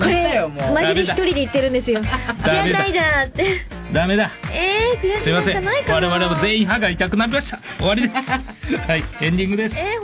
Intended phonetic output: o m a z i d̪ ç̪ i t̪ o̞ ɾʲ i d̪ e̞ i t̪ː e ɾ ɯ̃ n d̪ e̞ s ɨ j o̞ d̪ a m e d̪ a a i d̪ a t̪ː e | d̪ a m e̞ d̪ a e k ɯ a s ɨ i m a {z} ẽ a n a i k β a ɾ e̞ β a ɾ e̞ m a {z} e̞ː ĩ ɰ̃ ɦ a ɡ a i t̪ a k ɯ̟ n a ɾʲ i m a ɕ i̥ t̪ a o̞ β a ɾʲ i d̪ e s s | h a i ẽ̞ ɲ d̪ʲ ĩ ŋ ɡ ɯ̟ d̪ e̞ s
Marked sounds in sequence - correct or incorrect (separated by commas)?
incorrect, correct